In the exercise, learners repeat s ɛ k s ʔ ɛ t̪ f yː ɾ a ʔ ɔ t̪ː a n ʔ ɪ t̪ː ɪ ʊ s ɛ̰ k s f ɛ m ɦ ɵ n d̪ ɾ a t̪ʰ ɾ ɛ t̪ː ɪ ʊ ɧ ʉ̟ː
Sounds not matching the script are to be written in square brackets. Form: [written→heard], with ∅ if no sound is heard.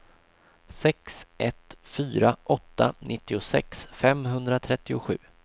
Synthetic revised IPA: s ɛ k s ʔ ɛ t̪ f yː ɾ a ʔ ɔ t̪ː a n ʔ ɪ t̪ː ɪ ʊ s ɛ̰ k s f ɛ m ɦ ɵ n d̪ ɾ a t̪ʰ ɾ ɛ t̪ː ɪ ʊ ɧ ʉ̟ː